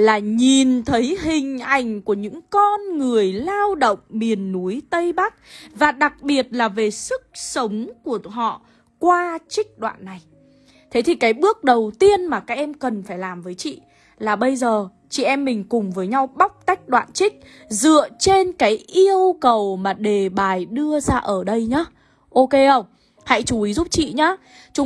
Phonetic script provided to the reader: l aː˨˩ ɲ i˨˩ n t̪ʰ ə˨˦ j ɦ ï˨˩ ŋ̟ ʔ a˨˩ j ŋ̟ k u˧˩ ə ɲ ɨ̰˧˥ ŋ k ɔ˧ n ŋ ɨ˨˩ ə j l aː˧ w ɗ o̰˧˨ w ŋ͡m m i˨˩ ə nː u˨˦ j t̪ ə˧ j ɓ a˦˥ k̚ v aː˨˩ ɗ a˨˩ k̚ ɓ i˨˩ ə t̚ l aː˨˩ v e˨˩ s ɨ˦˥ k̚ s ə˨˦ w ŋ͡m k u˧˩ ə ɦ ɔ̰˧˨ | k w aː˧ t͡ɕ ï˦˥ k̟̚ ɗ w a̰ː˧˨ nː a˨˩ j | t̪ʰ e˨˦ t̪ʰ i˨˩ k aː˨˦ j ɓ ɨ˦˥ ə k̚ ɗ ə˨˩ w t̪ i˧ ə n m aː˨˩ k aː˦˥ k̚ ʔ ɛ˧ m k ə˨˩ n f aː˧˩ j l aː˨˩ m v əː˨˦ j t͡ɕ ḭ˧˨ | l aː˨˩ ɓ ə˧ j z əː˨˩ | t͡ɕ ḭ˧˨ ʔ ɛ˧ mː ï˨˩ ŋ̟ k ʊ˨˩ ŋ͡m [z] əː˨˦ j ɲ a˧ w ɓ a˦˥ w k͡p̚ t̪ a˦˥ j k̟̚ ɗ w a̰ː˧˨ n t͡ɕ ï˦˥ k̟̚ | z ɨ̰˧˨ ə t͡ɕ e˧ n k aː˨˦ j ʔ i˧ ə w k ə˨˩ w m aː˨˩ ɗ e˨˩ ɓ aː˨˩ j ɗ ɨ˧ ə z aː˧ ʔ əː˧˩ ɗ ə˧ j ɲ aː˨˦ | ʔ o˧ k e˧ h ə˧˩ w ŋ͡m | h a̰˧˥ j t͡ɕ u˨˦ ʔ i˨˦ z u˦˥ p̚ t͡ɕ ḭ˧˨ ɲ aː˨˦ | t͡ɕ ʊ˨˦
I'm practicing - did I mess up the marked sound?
yes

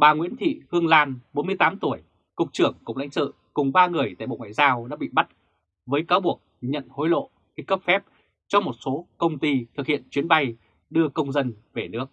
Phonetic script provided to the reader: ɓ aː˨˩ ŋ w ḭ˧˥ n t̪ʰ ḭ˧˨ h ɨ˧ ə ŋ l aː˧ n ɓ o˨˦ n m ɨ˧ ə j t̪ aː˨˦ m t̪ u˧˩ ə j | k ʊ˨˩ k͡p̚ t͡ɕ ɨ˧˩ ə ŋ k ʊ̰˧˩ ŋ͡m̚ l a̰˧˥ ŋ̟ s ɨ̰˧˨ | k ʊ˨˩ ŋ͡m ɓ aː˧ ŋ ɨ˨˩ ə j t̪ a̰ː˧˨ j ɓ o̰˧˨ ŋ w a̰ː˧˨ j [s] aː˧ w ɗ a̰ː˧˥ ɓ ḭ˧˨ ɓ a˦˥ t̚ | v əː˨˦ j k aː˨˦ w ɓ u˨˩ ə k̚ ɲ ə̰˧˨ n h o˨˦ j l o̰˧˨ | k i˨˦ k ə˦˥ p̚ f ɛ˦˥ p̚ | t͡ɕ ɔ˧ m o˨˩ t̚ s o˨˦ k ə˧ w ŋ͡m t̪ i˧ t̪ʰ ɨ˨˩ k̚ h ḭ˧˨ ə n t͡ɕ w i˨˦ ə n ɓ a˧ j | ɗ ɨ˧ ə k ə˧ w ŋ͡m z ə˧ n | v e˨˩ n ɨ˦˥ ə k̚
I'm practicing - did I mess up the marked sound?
yes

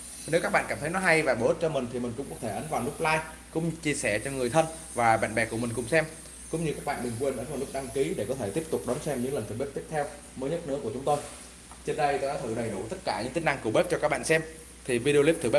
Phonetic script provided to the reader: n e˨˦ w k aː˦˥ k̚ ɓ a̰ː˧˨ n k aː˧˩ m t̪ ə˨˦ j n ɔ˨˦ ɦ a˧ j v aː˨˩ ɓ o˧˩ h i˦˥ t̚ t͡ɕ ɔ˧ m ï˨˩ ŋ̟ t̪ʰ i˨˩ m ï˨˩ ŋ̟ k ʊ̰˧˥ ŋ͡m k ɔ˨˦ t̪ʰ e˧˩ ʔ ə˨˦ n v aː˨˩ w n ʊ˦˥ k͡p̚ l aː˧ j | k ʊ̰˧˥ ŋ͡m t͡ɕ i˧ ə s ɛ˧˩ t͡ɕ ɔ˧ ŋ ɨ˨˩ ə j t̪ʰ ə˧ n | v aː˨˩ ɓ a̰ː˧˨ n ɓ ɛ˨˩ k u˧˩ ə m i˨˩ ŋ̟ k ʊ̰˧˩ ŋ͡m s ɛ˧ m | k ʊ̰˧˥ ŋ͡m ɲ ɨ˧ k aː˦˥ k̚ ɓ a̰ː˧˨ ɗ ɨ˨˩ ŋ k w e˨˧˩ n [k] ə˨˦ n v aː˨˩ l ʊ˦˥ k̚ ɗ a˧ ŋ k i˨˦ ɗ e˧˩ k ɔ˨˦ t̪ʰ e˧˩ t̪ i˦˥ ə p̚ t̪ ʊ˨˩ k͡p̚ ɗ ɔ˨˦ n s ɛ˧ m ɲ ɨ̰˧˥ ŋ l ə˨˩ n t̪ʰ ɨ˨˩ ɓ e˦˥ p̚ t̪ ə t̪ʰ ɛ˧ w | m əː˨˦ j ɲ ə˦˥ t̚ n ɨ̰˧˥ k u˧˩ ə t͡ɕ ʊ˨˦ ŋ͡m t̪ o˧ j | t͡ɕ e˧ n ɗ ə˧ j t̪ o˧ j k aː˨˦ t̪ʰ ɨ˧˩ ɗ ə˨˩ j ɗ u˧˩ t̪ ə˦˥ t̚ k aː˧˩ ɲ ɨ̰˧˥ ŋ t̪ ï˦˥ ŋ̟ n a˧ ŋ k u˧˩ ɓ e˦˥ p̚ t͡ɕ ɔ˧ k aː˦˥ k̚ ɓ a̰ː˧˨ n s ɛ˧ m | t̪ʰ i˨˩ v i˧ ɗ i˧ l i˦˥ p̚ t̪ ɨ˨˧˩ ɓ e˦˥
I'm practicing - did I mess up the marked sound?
yes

